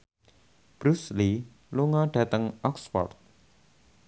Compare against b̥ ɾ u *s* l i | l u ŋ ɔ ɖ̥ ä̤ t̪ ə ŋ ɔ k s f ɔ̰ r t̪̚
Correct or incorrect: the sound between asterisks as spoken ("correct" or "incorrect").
correct